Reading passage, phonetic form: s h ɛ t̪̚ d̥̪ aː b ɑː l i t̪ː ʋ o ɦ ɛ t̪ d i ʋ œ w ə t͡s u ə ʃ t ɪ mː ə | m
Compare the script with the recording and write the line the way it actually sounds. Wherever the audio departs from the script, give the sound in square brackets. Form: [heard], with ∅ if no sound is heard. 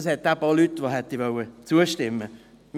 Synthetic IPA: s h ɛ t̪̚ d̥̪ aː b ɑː l [y] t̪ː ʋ o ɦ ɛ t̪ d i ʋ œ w ə t͡s u ə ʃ t ɪ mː ə | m